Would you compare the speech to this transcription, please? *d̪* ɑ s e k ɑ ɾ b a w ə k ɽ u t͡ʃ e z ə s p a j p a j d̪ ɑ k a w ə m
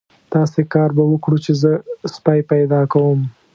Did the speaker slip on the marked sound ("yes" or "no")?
yes